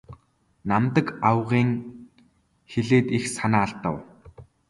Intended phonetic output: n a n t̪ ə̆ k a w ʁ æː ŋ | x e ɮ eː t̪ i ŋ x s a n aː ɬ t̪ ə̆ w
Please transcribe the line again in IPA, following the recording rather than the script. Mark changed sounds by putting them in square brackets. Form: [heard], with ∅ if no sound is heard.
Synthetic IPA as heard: n a [m] t̪ ə̆ k a w ʁ [iː] ŋ | x e ɮ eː t̪ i [∅] x s a n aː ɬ t̪ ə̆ w